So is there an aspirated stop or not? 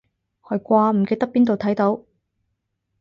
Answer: yes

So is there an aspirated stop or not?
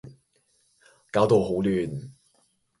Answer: no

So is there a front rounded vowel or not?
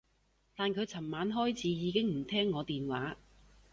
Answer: no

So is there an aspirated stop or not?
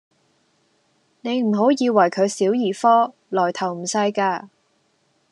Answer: yes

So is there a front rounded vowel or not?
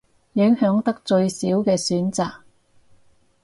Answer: yes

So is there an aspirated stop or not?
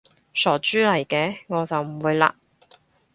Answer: no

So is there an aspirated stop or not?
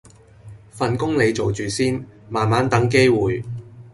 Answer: no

